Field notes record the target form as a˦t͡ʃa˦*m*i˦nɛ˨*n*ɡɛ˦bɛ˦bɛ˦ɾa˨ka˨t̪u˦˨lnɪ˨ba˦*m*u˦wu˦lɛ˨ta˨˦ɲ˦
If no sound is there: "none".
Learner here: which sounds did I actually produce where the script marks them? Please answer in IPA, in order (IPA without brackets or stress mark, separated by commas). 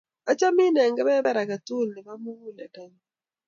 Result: m, ŋ, m